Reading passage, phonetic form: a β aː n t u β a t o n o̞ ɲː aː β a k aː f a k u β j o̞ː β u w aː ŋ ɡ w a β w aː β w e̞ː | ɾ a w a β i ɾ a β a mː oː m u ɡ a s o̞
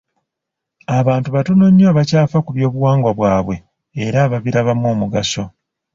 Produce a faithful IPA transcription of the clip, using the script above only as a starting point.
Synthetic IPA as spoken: a β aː n t u β a t o n o̞ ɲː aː β a c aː f a k u β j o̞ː β u w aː ŋ ɡ w a β w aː β w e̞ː | ɾ a β a β i ɾ a β a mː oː m u ɡ a s o̞